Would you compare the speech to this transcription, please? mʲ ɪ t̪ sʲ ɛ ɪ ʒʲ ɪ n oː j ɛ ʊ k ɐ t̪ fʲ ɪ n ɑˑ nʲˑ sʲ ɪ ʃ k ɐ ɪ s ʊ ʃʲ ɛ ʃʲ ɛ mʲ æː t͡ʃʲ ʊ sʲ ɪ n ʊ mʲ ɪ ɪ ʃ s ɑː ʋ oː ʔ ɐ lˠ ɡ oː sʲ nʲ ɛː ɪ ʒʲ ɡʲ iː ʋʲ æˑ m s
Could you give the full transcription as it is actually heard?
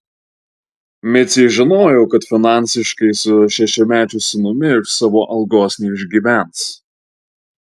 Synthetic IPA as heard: mʲ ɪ t̪ sʲ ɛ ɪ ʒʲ ɪ n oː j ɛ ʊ k ɐ t̪ fʲ ɪ n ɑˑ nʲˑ sʲ ɪ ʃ k ɐ ɪ s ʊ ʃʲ ɛ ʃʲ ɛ mʲ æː t͡ʃʲ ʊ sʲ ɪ n ʊ mʲ ɪ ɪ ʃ s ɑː ʋ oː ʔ ɐ lˠ ɡ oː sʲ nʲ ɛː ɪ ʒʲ ɡʲ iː ʋʲ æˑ n s

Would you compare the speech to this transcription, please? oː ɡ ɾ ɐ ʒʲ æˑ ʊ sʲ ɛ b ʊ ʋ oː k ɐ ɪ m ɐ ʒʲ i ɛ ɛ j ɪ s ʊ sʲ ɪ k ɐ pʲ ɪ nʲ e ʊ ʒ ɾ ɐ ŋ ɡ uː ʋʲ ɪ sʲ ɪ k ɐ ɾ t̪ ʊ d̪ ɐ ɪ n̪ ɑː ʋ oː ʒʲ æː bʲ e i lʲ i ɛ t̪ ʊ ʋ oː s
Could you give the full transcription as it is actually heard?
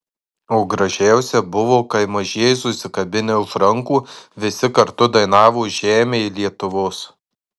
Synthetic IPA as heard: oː ɡ ɾ ɐ ʒʲ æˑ ʊ sʲ ɛ b ʊ ʋ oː k ɐ ɪ m ɐ ʒʲ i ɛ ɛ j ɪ s ʊ sʲ ɪ k ɐ bʲ ɪ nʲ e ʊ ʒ ɾ ɐ ŋ k uː ʋʲ ɪ sʲ ɪ k ɐ ɾ t̪ ʊ d̪ ɐ ɪ n̪ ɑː ʋ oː ʒʲ æː mʲ e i lʲ i ɛ t̪ ʊ ʋ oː s

